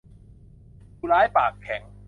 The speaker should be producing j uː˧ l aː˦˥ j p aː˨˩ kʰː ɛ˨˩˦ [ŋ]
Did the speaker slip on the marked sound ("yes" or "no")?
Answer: no